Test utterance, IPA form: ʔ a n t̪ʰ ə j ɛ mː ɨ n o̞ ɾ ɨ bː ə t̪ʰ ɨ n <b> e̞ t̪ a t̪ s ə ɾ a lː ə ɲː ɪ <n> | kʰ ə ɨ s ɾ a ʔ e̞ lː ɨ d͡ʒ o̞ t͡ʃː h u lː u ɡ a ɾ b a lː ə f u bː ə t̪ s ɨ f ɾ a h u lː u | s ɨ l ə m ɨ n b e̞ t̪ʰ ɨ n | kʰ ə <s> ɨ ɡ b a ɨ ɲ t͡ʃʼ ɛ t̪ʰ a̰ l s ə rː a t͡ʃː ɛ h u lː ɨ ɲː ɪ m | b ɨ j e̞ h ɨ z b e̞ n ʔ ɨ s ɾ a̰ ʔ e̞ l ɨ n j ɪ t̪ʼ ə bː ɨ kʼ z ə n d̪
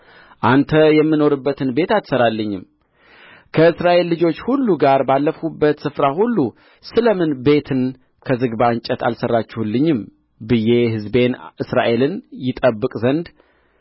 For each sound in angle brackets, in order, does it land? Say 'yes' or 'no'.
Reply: yes, no, no

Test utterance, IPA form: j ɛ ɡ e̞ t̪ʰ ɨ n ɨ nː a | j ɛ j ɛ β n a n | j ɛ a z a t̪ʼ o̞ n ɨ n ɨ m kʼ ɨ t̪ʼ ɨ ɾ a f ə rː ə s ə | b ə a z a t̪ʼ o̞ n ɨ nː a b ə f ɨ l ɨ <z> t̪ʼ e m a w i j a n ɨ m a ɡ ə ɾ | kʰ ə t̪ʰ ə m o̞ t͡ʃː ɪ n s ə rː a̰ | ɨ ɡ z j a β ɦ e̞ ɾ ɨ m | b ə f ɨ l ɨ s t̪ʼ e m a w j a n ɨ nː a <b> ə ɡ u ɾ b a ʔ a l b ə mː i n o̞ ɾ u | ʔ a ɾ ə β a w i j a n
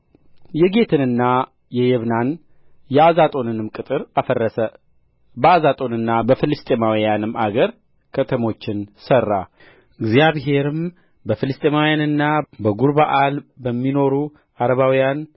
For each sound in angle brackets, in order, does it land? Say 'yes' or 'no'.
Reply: no, yes

